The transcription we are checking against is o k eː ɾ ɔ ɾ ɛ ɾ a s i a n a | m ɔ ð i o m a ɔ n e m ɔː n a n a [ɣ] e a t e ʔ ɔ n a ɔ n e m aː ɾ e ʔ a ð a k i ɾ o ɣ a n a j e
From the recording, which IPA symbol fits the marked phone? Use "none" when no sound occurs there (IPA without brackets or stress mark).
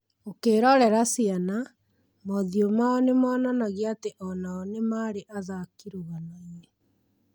ɣ